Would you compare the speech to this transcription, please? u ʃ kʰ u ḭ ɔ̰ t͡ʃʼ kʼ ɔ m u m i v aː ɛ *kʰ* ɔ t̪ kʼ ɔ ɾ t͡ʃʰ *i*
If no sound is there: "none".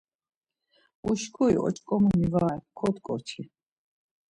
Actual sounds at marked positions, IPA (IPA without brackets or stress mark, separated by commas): kʰ, i